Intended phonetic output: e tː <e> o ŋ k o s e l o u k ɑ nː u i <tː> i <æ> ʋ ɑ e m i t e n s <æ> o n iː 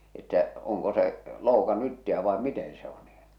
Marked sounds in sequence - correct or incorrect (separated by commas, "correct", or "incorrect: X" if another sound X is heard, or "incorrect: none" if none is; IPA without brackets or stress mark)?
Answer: incorrect: æ, correct, correct, incorrect: e